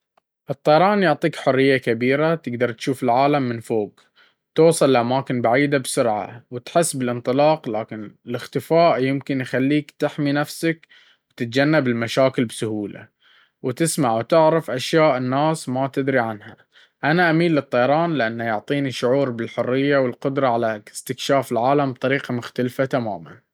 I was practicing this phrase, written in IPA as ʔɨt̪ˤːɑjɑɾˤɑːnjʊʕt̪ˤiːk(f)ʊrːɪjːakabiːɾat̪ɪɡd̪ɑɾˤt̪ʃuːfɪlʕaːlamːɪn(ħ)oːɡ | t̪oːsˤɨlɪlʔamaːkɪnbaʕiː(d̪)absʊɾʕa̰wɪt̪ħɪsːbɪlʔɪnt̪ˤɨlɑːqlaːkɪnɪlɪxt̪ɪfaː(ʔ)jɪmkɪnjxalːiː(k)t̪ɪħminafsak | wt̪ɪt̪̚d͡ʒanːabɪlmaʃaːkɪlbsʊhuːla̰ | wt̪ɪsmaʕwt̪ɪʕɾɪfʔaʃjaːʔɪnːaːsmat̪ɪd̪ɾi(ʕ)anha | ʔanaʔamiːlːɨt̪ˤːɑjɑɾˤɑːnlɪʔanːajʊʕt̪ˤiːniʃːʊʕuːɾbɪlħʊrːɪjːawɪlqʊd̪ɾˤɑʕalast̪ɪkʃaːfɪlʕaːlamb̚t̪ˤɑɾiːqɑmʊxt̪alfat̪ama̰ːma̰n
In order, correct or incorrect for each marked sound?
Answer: incorrect, incorrect, correct, correct, correct, correct

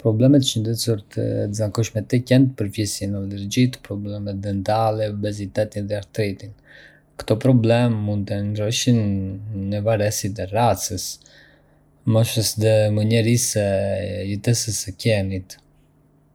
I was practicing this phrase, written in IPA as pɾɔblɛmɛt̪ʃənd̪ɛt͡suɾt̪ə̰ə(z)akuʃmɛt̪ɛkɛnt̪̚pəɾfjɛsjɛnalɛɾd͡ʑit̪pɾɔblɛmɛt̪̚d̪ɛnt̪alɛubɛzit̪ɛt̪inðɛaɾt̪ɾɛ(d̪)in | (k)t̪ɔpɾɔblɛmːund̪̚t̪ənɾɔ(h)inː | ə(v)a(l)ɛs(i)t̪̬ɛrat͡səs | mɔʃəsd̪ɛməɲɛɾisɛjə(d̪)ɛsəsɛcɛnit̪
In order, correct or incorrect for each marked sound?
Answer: correct, incorrect, correct, incorrect, correct, incorrect, correct, incorrect

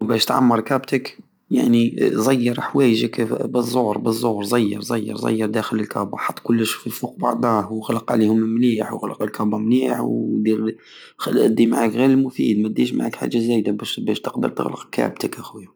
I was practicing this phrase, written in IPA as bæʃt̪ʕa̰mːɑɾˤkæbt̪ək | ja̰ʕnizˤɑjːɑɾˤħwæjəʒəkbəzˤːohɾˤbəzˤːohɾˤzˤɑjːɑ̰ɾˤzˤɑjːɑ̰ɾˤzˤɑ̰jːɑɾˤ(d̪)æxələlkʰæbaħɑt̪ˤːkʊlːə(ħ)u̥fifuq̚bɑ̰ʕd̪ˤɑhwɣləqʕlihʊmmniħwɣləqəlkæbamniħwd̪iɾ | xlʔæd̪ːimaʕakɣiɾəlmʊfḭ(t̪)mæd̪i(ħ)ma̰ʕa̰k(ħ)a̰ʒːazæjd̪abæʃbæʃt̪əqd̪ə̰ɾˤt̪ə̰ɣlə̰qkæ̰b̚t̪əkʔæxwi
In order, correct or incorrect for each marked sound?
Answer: correct, incorrect, incorrect, incorrect, correct

